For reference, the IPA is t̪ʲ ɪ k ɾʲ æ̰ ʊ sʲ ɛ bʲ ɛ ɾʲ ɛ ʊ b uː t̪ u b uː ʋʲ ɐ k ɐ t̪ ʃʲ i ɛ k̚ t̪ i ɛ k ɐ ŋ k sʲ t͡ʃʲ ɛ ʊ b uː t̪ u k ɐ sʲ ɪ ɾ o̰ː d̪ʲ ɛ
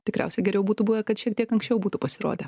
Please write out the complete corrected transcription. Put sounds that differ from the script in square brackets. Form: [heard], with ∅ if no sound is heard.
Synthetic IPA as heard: t̪ʲ ɪ k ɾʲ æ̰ ʊ sʲ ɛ [ɡʲ] ɛ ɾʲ ɛ ʊ b uː t̪ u b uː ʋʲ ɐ k ɐ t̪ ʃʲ i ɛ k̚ t̪ i ɛ k ɐ ŋ k sʲ t͡ʃʲ ɛ ʊ b uː t̪ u [p] ɐ sʲ ɪ ɾ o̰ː d̪ʲ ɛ